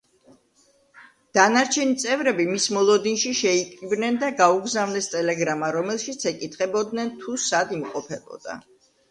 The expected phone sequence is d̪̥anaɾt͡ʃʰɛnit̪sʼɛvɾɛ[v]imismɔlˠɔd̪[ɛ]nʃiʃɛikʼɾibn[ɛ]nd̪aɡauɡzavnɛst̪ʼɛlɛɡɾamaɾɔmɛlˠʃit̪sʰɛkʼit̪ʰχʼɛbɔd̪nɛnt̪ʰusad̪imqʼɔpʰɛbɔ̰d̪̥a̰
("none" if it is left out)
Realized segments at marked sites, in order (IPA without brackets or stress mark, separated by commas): b, i, ɛ